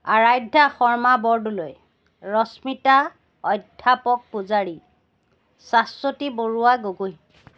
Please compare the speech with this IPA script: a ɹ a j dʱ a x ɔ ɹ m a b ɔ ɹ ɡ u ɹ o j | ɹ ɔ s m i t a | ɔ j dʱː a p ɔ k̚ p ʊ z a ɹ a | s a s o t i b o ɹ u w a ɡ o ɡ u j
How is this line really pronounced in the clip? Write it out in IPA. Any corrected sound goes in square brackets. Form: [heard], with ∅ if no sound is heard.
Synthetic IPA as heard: a ɹ a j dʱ a x ɔ ɹ m a b ɔ ɹ [d] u [l] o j | ɹ ɔ s m i t a | ɔ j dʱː a p ɔ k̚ p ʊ z a ɹ [i] | s a s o t i b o ɹ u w a ɡ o ɡ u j